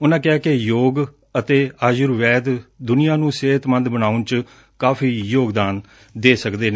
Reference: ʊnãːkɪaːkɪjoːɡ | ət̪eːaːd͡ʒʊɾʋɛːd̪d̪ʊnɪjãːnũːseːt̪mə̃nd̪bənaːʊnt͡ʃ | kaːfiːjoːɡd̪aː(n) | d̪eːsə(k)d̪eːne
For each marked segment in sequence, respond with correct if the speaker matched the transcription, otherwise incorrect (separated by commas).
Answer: correct, correct